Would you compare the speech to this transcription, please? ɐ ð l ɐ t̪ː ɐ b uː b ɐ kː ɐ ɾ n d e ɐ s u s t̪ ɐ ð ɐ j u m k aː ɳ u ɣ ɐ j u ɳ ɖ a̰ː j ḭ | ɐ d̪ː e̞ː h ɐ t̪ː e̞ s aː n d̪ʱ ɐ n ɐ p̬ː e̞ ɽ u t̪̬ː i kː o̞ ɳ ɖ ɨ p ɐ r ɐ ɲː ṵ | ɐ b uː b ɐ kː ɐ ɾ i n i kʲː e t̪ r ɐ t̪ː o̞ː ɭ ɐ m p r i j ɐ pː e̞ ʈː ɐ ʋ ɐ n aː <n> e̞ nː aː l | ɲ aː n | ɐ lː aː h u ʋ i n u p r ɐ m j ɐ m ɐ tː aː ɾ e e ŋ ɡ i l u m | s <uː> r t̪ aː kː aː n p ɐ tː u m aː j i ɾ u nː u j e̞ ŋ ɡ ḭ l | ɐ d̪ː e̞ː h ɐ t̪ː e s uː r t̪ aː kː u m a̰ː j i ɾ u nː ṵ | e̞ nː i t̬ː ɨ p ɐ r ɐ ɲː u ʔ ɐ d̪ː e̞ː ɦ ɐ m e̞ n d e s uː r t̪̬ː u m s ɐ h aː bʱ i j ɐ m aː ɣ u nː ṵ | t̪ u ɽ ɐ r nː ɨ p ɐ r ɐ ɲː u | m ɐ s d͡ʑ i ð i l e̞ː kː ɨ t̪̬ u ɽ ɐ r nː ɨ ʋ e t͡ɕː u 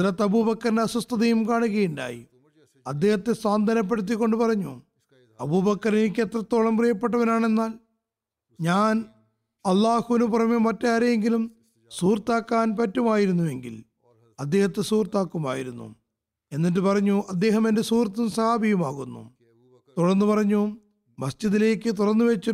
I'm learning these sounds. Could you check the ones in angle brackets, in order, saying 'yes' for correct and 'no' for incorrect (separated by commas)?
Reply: no, yes